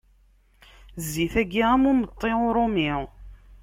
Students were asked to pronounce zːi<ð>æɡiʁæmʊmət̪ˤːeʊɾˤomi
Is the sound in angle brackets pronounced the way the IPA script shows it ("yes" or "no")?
no